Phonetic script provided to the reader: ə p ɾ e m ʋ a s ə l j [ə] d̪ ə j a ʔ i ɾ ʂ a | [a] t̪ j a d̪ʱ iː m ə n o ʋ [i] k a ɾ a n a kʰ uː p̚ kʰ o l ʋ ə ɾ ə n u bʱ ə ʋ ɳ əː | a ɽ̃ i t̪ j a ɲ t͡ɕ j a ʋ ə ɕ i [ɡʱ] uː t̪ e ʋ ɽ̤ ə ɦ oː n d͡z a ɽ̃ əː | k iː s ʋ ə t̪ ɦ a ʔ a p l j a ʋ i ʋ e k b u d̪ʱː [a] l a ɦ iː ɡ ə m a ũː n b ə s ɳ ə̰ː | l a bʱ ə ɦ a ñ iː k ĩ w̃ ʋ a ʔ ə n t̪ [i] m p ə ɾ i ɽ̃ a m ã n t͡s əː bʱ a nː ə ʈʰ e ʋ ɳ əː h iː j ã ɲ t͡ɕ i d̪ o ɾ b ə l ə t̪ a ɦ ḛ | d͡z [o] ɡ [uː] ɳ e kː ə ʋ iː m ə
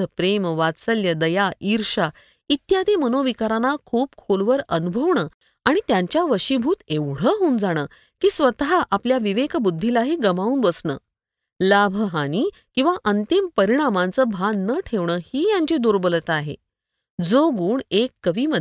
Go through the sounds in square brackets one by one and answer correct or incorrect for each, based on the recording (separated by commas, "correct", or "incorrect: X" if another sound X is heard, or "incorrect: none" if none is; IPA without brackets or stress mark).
correct, incorrect: i, correct, incorrect: bʱ, incorrect: i, correct, correct, correct